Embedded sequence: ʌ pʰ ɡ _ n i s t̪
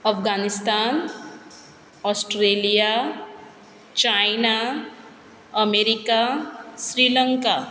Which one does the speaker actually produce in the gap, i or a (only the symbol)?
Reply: a